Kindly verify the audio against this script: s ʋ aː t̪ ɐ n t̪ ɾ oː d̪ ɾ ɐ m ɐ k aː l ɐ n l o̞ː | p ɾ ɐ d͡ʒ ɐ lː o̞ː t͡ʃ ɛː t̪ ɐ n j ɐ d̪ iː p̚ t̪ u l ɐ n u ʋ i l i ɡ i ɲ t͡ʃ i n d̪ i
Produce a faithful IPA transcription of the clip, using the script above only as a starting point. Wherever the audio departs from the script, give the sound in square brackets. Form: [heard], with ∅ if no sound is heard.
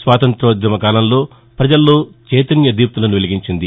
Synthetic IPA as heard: s ʋ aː t̪ ɐ n t̪ ɾ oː d̪ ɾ ɐ m ɐ k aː l ɐ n l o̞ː | p ɾ ɐ d͡ʒ ɐ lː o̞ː t͡ʃ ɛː t̪ ɐ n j ɐ d̪ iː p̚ t̪ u l ɐ n u ʋ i l i ɡ i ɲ t͡ʃ i n d̪ i